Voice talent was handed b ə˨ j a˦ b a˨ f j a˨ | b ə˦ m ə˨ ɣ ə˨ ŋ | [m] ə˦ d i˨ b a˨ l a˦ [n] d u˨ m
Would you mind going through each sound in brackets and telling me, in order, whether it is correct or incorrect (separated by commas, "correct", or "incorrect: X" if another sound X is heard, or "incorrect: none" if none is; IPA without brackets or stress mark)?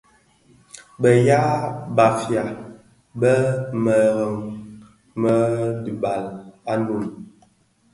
correct, correct